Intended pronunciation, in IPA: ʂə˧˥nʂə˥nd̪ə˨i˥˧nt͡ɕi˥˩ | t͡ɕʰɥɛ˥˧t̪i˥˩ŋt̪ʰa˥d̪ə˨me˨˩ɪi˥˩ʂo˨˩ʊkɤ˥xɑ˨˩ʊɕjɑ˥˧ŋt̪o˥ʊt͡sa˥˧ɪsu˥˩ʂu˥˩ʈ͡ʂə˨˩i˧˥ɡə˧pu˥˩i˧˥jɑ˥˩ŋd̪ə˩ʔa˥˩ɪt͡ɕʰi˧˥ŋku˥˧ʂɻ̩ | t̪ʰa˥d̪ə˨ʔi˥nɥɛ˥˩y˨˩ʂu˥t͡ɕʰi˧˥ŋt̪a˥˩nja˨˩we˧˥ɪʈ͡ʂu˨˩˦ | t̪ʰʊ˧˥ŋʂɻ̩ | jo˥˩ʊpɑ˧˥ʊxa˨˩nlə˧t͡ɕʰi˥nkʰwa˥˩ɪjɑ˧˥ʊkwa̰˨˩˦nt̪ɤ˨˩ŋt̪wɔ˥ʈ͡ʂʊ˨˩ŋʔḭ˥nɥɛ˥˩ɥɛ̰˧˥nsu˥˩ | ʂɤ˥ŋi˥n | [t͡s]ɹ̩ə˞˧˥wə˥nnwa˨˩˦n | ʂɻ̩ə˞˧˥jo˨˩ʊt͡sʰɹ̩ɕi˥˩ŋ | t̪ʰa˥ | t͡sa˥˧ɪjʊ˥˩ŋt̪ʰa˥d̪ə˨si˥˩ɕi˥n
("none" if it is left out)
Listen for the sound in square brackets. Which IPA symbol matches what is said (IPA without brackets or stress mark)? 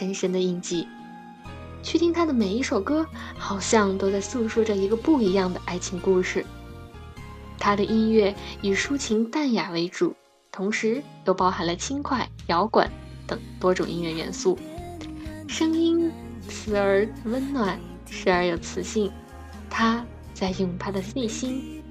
t͡sʰ